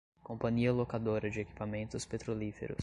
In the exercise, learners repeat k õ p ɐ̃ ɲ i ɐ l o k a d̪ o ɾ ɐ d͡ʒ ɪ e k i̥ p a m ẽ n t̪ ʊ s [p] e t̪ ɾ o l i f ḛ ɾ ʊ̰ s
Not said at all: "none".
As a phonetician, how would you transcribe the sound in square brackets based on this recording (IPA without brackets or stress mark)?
p